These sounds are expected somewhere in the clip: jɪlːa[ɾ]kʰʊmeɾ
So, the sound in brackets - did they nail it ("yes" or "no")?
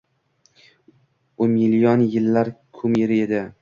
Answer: yes